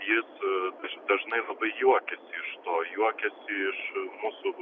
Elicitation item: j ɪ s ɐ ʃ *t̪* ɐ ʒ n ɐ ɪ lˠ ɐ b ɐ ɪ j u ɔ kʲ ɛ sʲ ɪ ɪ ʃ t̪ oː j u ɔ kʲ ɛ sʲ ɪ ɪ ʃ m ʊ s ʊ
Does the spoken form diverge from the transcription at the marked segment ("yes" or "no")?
yes